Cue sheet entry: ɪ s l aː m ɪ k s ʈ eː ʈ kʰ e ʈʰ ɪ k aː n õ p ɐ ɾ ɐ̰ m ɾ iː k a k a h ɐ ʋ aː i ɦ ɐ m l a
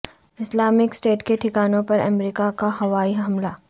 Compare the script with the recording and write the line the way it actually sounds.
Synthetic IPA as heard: ɪ s l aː m ɪ k s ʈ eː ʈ k e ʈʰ ɪ k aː n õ p ɐ ɾ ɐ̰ m ɾ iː k a k a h ɐ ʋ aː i ɦ ɐ m l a